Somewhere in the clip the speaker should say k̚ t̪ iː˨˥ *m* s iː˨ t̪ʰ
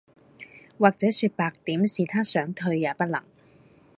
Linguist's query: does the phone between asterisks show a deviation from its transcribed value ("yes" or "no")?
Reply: no